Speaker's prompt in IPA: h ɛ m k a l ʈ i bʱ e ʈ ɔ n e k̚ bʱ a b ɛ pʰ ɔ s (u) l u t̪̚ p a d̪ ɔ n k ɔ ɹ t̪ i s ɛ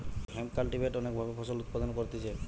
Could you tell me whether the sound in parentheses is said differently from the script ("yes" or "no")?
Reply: yes